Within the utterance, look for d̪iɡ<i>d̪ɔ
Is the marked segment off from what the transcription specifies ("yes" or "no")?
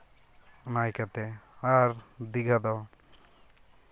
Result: yes